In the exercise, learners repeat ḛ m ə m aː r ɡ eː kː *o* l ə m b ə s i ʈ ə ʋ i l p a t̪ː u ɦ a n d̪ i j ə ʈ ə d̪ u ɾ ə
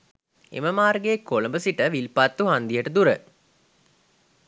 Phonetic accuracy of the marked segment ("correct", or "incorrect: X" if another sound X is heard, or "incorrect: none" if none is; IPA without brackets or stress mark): correct